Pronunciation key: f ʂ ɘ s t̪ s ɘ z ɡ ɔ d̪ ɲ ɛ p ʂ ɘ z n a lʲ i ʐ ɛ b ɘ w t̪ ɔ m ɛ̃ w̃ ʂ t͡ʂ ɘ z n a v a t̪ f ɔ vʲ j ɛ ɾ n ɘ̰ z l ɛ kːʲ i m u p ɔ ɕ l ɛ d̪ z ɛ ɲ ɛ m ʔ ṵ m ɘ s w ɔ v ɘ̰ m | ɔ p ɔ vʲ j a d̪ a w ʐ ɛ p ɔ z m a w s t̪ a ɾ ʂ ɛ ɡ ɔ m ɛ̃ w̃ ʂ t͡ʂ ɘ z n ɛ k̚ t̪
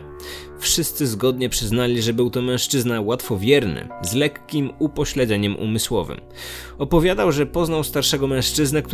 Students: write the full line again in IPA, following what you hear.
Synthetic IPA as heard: f ʂ ɘ s t̪ s ɘ z ɡ ɔ d̪ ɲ ɛ p ʂ ɘ z n a lʲ i ʐ ɛ b ɘ w t̪ ɔ m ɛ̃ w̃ ʂ t͡ʂ ɘ z n a w a t̪ f ɔ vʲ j ɛ ɾ n ɘ̰ z l ɛ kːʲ i m u p ɔ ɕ l ɛ d̪ z ɛ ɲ ɛ m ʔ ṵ m ɘ s w ɔ v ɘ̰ m | ɔ p ɔ vʲ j a d̪ a w ʐ ɛ p ɔ z n a w s t̪ a ɾ ʂ ɛ ɡ ɔ m ɛ̃ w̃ ʂ t͡ʂ ɘ z n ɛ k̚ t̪